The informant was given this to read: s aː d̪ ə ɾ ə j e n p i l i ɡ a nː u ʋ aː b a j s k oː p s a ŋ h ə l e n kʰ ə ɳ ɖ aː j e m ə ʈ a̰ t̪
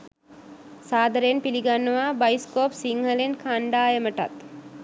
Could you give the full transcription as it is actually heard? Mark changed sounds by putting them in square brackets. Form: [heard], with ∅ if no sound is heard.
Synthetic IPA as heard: s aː d̪ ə ɾ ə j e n p i l i ɡ a nː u ʋ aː b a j s k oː p s [i] ŋ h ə l e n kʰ [a] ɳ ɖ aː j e m ə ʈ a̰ t̪